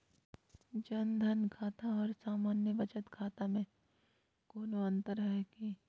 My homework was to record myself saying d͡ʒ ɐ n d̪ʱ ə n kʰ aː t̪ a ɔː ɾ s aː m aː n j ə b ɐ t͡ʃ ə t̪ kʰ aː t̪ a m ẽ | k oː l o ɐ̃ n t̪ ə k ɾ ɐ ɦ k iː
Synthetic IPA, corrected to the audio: d͡ʒ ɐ n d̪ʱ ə n kʰ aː t̪ a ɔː ɾ s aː m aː n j ə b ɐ t͡ʃ ə t̪ kʰ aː t̪ a m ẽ | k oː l o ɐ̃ n t̪ ə ɾ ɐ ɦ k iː